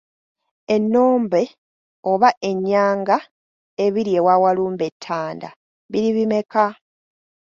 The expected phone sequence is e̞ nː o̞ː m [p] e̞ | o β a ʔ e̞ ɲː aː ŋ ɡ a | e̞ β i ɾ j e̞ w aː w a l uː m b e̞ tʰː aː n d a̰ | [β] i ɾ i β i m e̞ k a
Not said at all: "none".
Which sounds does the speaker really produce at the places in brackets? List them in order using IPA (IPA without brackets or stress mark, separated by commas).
b, β